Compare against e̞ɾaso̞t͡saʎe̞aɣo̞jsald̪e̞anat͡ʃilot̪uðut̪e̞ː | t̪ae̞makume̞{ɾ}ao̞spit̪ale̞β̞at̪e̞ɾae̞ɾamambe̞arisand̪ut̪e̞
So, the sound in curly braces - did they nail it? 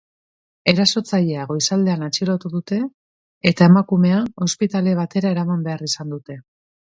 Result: no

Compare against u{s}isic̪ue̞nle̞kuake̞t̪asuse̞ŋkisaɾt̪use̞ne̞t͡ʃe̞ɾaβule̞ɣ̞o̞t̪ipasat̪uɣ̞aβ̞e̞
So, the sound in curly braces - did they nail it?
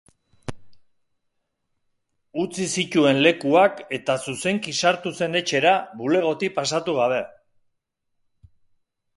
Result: no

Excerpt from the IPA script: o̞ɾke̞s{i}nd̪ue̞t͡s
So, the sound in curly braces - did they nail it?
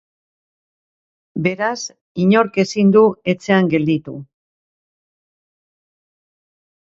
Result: yes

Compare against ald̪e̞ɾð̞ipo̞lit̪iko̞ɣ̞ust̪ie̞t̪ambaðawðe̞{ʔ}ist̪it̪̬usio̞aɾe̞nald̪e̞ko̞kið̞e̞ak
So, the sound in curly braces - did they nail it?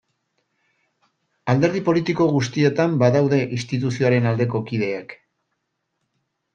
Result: yes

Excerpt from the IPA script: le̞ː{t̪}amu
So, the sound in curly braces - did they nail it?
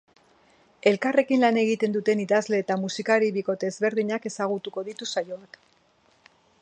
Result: yes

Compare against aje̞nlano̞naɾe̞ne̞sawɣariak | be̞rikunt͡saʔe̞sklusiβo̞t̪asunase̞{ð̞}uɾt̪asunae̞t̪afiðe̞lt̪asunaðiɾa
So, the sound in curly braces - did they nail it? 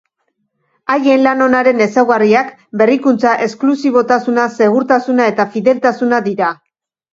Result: no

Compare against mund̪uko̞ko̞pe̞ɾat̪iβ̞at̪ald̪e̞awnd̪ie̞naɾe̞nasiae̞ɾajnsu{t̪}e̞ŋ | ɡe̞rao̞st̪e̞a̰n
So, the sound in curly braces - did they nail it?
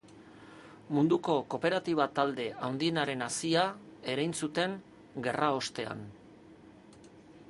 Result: yes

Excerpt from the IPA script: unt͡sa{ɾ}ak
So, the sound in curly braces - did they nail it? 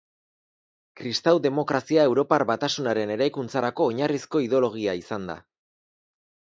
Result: yes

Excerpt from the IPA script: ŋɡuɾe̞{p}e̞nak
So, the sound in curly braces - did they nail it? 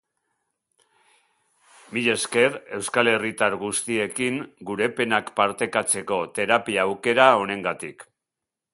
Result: yes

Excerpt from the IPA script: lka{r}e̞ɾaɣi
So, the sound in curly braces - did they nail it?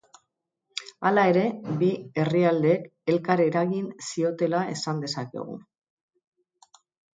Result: no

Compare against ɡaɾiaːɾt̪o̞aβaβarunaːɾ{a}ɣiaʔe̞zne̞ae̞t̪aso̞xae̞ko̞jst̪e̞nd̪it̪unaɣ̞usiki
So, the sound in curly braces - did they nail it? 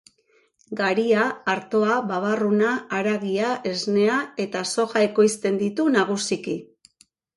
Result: yes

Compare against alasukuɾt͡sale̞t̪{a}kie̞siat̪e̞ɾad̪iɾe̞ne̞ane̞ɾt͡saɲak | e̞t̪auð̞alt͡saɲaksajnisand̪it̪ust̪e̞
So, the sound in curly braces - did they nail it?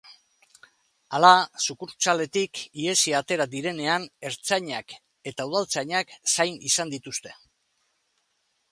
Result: no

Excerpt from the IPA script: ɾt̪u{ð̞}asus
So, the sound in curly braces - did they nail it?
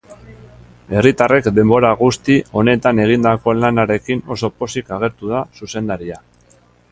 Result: yes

